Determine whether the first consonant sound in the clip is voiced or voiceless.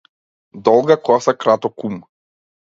voiced